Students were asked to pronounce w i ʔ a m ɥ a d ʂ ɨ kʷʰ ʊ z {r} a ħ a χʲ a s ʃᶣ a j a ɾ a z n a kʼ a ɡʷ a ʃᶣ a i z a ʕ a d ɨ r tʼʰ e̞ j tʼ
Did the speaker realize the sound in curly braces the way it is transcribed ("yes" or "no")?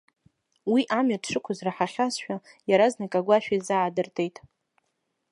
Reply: yes